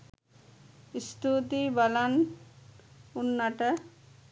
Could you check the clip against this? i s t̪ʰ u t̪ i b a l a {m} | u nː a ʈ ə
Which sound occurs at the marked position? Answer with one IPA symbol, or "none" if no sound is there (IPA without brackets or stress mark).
n